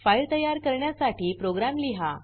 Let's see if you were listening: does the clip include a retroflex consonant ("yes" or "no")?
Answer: yes